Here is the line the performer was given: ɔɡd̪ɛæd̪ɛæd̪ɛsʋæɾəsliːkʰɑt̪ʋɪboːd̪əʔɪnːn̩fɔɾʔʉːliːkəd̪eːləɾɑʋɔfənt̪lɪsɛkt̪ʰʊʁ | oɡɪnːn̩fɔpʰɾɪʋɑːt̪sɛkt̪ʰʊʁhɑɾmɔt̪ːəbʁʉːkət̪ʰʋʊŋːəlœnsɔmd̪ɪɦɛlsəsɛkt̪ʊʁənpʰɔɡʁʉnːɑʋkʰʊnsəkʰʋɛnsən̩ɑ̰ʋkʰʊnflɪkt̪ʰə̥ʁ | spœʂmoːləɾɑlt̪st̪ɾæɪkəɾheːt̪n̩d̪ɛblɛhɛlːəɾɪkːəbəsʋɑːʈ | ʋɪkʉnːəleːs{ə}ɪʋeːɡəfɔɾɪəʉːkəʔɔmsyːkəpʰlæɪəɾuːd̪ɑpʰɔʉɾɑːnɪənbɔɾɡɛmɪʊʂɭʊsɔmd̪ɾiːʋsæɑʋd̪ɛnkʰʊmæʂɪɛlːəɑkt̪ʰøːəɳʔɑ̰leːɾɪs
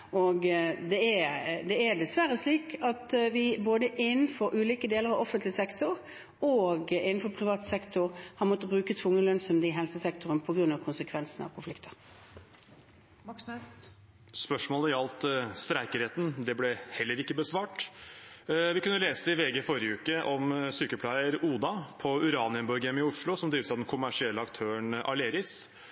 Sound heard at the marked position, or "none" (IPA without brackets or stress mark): ə